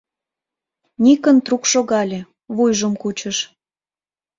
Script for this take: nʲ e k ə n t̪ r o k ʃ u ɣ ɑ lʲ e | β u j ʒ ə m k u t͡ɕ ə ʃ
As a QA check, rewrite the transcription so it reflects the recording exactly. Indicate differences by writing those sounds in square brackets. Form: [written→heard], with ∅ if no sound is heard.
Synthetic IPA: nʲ [e→i] k ə n t̪ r [o→u] k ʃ [u→o] ɣ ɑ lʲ e | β u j ʒ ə m k u t͡ɕ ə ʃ